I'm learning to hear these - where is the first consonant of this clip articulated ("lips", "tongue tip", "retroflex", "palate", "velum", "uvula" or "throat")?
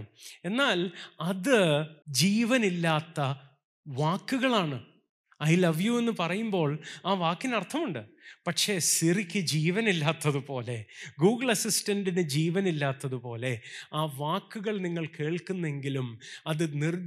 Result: tongue tip